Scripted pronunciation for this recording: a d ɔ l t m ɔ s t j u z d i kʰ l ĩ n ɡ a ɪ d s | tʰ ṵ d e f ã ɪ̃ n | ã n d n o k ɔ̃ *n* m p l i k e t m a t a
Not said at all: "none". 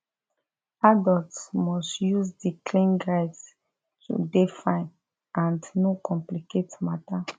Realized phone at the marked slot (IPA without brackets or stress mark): none